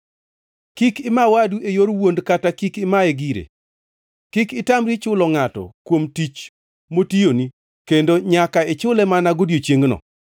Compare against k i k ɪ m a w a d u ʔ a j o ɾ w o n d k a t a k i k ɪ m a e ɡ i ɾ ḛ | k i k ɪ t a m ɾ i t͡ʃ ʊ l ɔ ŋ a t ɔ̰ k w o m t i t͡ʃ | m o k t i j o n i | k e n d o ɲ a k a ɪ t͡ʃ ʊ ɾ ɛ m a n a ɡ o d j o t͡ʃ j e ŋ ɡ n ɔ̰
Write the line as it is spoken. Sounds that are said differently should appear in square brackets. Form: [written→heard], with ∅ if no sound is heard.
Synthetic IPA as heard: k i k ɪ m a w a d u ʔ [a→e] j o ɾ w o n d k a t a k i k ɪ m a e ɡ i ɾ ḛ | k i k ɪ t a m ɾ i t͡ʃ ʊ l ɔ ŋ a t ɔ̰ k w o m t i t͡ʃ | m o [k→∅] t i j o n i | k e n d o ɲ a k a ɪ t͡ʃ ʊ [ɾ→l] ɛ m a n a ɡ o d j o t͡ʃ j e ŋ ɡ n ɔ̰

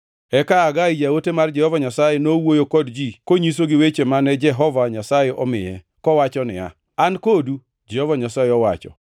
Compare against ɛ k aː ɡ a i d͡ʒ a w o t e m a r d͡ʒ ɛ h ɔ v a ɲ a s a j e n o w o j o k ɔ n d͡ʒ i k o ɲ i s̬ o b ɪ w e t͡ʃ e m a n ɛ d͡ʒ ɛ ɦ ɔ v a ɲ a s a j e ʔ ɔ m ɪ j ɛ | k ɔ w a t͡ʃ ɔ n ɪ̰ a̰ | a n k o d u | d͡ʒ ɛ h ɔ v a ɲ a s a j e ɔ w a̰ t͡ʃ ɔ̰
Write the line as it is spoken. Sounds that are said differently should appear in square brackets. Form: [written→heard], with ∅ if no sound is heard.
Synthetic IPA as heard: ɛ k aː ɡ a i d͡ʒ a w o t e m a r d͡ʒ ɛ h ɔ v a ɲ a s a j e n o w o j o k ɔ [n→d] d͡ʒ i k o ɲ i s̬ o [b→ɡ] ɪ w e t͡ʃ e m a n ɛ d͡ʒ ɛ ɦ ɔ v a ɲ a s a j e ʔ ɔ m ɪ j ɛ | k ɔ w a t͡ʃ ɔ n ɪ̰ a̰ | a n k o d u | d͡ʒ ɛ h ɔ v a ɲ a s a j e ɔ w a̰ t͡ʃ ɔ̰

